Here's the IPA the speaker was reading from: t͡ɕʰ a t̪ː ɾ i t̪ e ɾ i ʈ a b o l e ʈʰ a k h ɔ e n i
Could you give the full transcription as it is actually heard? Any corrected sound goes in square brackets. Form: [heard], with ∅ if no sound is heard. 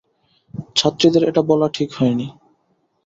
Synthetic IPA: t͡ɕʰ a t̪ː ɾ i [d̪] e ɾ [e] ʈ a b [ɔ] l [a] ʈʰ [i] k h ɔ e n i